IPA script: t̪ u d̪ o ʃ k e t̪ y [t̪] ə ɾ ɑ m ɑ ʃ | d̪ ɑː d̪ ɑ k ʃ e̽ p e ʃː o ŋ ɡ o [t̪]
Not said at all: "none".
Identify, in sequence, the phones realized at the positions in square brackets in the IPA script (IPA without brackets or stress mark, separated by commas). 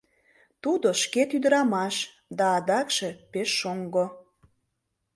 d̪, none